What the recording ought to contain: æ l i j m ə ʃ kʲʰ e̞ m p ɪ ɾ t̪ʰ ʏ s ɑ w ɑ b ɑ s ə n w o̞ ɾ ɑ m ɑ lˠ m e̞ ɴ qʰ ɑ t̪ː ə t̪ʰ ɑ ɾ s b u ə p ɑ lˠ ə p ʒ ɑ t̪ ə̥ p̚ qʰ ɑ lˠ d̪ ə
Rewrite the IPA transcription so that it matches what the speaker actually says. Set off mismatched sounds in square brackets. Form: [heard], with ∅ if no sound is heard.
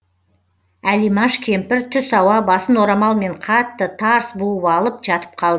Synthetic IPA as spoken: æ l i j m [ɑ] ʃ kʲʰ e̞ m p ɪ ɾ t̪ʰ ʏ s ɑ w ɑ b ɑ s ə n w o̞ ɾ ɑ m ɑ lˠ m e̞ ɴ qʰ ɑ t̪ː ə t̪ʰ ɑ ɾ s b u ə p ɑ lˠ ə p ʒ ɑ t̪ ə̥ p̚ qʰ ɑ lˠ d̪ ə

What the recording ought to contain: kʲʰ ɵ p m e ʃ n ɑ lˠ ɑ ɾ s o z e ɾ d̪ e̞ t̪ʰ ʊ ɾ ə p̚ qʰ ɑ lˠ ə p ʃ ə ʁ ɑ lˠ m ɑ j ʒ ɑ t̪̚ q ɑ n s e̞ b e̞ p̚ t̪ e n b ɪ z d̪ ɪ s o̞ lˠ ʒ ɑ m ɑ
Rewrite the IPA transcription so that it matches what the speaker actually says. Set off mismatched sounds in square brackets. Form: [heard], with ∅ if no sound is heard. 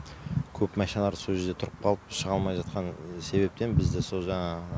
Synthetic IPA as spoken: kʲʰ ɵ p m [æ] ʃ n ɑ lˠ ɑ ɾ s o [ʒ] e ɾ d̪ e̞ t̪ʰ ʊ ɾ ə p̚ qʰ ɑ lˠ ə p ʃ ə ʁ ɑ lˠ m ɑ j ʒ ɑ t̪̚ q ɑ n s e̞ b e̞ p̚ t̪ e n b ɪ z d̪ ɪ s o̞ lˠ ʒ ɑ [ɴ] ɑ

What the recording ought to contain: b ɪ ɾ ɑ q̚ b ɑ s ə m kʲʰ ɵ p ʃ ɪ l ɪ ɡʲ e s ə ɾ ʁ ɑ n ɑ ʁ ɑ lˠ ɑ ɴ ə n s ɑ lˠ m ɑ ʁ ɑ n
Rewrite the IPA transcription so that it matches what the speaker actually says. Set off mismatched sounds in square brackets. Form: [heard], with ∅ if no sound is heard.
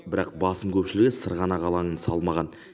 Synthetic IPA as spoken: b ɪ ɾ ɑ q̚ b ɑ s ə m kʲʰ ɵ p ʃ ɪ l ɪ ɡʲ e s ə ɾ ʁ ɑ n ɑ ʁ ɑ lˠ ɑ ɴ ə n s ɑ lˠ m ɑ ʁ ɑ n

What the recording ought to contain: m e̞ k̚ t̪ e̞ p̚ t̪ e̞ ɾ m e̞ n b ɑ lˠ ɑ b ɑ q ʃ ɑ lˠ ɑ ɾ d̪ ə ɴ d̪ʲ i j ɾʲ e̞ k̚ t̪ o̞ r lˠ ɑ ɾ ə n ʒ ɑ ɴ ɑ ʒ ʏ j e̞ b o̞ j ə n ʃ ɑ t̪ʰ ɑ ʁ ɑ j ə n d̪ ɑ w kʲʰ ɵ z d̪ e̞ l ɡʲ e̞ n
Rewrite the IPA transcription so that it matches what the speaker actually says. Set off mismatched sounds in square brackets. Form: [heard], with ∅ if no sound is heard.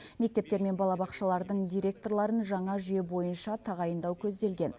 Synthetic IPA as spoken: m e̞ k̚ t̪ e̞ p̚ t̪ e̞ ɾ m e̞ n b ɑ lˠ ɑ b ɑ q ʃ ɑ lˠ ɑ ɾ d̪ ə ɴ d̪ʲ i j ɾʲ e̞ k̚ t̪ o̞ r lˠ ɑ ɾ ə n ʒ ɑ ɴ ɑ ʒ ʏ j e̞ b o̞ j ə n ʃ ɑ t̪ʰ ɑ ʁ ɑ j ə n d̪ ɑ w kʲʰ ɵ z d̪ e̞ l ɡʲ e̞ n

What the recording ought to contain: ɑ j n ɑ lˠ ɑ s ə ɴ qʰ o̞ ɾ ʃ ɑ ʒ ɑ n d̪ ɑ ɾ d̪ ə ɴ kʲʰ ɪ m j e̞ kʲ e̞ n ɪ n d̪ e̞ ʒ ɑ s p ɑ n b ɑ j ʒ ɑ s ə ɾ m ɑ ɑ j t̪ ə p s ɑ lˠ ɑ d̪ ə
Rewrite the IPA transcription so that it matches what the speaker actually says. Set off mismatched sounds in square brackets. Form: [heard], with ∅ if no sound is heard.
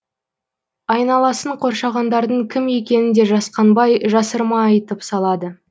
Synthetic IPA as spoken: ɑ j n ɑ lˠ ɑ s ə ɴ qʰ o̞ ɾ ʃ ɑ [ʁ] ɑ n d̪ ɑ ɾ d̪ ə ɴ kʲʰ ɪ m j e̞ kʲ e̞ n ɪ n d̪ e̞ ʒ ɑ s [q] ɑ n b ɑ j ʒ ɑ s ə ɾ m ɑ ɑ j t̪ ə p s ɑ lˠ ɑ d̪ ə

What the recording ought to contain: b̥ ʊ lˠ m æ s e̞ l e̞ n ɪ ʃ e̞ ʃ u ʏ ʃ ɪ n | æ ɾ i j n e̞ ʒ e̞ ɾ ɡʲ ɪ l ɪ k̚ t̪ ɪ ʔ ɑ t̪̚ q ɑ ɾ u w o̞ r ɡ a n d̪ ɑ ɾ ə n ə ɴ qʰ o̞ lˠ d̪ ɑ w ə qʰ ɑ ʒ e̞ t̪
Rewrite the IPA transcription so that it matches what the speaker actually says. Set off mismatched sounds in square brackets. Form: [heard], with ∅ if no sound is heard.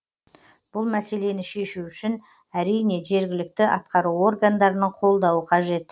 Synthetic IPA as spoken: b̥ ʊ lˠ m æ s e̞ l e̞ n ɪ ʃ e̞ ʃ u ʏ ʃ ɪ n | æ ɾ i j n e̞ ʒ e̞ ɾ ɡʲ ɪ l ɪ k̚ t̪ ɪ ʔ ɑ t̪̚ q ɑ ɾ u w o̞ r ɡ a n d̪ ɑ ɾ ə n ə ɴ qʰ o̞ lˠ d̪ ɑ w ə qʰ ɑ ʒ e̞ t̪

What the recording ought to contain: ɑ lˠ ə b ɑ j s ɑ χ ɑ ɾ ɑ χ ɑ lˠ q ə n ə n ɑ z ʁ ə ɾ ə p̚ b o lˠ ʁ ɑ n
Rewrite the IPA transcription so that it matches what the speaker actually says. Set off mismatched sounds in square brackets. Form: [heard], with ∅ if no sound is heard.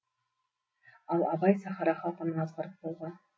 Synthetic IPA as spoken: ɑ lˠ [ɑ] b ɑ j s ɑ χ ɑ ɾ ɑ χ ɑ lˠ q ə n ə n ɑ z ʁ [ɑ] ɾ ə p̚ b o lˠ ʁ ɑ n

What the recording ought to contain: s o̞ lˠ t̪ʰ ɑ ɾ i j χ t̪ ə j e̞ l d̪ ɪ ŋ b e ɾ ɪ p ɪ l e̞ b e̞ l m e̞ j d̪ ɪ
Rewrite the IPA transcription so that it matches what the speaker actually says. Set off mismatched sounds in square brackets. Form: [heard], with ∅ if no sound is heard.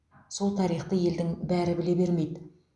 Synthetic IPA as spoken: s o̞ lˠ t̪ʰ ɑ ɾ i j χ t̪ ə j e̞ l d̪ ɪ ŋ b [æ] ɾ ɪ [b] ɪ l e̞ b e̞ [ɾ] m e̞ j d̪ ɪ

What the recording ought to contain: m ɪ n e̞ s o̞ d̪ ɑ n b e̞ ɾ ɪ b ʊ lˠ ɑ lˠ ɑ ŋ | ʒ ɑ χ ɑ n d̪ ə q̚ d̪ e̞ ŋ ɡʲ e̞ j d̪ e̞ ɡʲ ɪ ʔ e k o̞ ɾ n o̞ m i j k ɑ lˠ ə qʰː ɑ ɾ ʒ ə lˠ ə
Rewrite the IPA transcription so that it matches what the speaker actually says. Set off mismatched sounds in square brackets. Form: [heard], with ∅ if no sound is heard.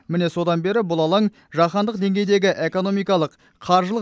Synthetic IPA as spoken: m ɪ n e̞ s o̞ d̪ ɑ n b e̞ ɾ ɪ b ʊ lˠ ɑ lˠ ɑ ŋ | ʒ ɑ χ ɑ n d̪ ə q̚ d̪ e̞ ŋ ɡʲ e̞ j d̪ e̞ ɡʲ ɪ ʔ e k o̞ [∅] n o̞ m i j k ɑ lˠ ə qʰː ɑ ɾ ʒ ə lˠ ə

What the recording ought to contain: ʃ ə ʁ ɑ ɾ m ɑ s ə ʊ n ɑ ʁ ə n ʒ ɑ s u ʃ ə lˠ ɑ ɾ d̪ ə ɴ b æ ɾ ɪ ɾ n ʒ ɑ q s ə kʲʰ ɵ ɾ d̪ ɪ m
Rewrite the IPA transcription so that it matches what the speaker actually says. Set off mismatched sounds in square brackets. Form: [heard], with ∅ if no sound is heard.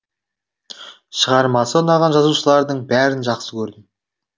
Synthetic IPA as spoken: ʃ ə ʁ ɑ ɾ m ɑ s ə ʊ n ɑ ʁ [ɑ] n ʒ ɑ [z] u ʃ ə lˠ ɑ ɾ d̪ ə ɴ b æ ɾ ɪ [∅] n ʒ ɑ q s ə kʲʰ ɵ ɾ d̪ ɪ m

